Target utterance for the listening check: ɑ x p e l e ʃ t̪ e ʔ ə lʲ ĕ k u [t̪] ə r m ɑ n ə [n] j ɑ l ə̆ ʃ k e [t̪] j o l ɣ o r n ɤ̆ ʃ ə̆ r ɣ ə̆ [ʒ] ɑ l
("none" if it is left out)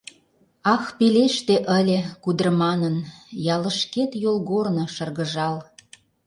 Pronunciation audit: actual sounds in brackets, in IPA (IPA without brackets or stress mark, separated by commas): d̪, n, t̪, ʒ